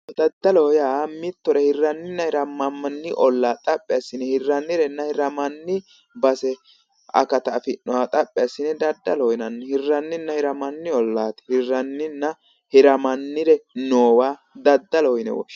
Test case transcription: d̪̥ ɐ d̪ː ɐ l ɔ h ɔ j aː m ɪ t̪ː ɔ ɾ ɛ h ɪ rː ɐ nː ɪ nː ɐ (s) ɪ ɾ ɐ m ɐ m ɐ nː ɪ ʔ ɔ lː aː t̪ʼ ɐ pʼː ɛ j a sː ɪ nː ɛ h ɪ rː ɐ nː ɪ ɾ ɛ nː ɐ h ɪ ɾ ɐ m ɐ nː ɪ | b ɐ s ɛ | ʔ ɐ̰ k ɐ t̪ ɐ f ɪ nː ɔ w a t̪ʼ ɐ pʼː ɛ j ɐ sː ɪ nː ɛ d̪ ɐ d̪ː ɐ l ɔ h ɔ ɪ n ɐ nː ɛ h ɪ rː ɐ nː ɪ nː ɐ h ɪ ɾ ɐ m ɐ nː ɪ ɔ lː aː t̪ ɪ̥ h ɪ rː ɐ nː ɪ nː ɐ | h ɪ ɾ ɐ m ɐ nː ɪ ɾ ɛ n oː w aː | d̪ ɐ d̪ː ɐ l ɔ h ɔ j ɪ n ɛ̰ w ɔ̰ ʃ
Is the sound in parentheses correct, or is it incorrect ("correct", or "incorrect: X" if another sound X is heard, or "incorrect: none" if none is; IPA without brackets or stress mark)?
incorrect: h